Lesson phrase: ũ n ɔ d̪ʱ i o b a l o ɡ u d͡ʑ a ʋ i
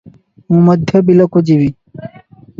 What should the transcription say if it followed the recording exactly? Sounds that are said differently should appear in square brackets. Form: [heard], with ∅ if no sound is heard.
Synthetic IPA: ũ [m] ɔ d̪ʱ [j] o b [i] l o [k] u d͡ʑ [i] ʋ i

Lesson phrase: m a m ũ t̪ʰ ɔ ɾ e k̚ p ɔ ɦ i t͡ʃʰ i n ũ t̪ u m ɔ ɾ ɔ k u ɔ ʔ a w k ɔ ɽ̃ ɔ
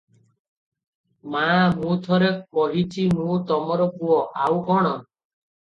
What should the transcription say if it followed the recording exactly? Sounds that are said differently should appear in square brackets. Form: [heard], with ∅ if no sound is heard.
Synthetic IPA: m a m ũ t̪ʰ ɔ ɾ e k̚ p ɔ ɦ i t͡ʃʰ i n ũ t̪ [ɔ] m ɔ ɾ ɔ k u ɔ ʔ a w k ɔ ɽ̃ ɔ

